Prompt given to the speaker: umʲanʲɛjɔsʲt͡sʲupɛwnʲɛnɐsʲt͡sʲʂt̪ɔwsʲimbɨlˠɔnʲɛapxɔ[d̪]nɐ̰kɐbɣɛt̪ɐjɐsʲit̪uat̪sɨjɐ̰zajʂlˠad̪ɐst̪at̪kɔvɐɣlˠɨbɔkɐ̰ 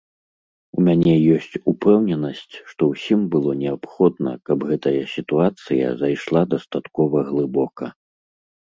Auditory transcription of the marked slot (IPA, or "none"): d̪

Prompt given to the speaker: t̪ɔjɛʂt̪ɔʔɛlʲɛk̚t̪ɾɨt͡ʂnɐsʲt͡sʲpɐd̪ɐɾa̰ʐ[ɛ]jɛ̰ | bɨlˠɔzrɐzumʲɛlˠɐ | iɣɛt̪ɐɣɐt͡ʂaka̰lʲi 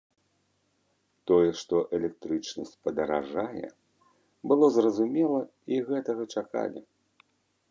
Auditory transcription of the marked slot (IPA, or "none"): a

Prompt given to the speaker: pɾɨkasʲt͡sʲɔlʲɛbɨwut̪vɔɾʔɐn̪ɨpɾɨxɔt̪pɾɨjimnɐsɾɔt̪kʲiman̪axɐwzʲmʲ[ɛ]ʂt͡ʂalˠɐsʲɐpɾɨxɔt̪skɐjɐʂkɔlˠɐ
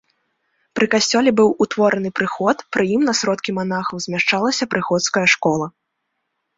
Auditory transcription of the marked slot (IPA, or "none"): a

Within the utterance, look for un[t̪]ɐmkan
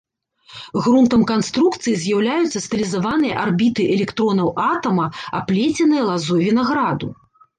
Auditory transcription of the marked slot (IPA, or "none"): t̪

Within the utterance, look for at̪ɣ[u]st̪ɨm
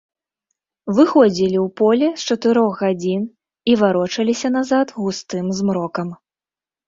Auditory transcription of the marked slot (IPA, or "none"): u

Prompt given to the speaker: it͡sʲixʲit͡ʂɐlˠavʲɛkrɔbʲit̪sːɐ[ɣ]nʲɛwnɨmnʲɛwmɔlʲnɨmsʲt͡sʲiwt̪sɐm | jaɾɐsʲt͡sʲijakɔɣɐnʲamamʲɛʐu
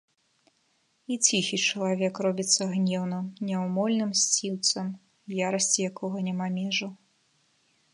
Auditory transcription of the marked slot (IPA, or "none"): ɣ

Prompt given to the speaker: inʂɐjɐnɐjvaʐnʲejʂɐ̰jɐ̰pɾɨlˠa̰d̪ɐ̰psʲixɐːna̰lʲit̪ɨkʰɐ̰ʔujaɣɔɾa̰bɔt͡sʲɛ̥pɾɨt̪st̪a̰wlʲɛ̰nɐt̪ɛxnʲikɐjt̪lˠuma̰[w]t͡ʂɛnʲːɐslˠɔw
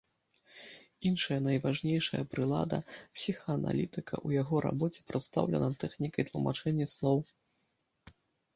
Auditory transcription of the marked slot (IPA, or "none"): none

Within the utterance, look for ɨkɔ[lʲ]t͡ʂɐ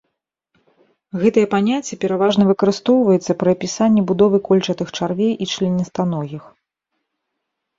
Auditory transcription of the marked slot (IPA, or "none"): lʲ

